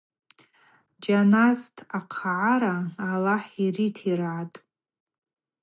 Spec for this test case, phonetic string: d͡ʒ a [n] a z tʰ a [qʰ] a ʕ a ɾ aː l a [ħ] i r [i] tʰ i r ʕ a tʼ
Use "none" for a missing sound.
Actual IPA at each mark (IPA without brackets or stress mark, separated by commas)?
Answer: n, qʰ, ħ, i